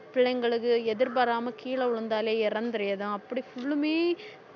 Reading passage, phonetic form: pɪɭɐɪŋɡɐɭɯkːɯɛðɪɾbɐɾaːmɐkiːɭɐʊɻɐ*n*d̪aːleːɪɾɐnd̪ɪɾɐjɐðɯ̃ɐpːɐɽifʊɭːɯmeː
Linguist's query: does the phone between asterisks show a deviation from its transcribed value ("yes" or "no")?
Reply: no